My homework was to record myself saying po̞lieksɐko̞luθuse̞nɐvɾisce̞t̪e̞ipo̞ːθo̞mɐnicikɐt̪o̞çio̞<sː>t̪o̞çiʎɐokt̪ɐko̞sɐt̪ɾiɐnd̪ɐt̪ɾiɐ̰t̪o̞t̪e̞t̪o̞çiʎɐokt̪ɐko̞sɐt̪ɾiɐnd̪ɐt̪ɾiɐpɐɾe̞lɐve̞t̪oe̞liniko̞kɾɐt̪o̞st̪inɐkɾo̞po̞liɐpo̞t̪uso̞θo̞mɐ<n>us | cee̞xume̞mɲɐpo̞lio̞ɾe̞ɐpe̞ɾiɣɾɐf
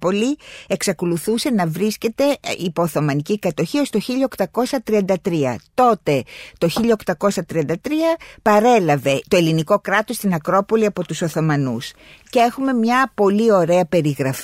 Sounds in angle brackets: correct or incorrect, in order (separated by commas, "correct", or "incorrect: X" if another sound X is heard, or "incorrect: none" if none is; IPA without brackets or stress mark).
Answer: incorrect: s, correct